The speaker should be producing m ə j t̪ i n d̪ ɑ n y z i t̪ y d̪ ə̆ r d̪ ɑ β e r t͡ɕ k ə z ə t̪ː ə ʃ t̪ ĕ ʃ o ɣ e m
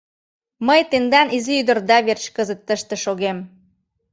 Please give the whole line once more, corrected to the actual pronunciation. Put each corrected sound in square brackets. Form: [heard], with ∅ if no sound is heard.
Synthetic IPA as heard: m ə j t̪ [e] n d̪ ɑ n [i] z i [∅] y d̪ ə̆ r d̪ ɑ β e r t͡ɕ k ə z ə t̪ː ə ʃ t̪ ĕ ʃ o ɣ e m